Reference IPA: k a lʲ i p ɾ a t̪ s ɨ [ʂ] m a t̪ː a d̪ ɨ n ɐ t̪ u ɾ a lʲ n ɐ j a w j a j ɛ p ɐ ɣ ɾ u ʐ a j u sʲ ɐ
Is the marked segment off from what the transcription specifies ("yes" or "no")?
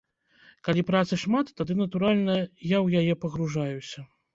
no